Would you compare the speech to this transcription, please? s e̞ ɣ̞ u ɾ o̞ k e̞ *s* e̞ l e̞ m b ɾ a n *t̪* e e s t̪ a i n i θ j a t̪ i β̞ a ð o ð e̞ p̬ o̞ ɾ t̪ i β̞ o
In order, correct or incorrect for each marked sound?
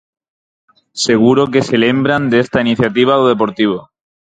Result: correct, incorrect: d̪

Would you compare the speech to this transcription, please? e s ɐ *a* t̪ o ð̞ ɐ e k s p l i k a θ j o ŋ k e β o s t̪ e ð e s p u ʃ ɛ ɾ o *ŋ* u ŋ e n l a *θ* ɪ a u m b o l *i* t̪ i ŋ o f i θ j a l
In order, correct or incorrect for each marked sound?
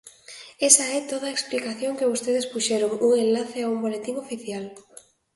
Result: incorrect: ɛ, correct, correct, incorrect: e

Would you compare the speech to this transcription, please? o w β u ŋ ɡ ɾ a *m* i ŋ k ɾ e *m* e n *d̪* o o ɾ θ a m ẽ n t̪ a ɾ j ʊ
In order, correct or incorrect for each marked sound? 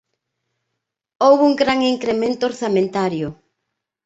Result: incorrect: ŋ, correct, incorrect: t̪

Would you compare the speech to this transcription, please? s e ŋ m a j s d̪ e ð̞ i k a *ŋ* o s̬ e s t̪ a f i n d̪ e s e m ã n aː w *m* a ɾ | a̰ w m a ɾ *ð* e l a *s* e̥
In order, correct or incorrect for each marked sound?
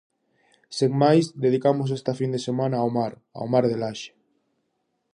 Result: incorrect: m, correct, correct, incorrect: ʃ

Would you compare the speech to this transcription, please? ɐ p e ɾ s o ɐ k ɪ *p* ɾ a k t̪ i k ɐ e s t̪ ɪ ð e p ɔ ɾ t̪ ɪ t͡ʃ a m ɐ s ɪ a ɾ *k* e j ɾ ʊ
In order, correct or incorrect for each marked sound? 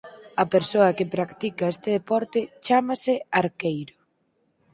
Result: correct, correct

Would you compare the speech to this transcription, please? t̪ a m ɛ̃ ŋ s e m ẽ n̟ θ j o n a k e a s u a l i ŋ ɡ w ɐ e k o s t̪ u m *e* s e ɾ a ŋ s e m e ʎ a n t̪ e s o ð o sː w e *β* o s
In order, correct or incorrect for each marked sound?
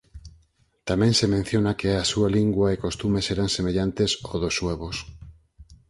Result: correct, correct

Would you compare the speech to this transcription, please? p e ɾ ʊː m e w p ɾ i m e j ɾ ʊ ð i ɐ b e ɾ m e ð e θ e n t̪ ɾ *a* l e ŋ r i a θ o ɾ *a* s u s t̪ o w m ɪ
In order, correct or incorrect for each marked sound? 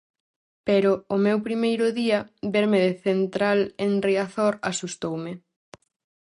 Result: correct, correct

